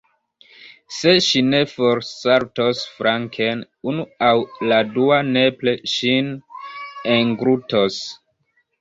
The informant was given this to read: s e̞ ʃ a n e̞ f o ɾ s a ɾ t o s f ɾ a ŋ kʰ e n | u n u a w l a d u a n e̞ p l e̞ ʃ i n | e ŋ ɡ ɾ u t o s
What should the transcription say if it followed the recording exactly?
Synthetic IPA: s e̞ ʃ i n e̞ f o ɾ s a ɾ t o s f ɾ a ŋ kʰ e n | u n u a w l a d u a n e̞ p l e̞ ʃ i n | e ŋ ɡ ɾ u t o s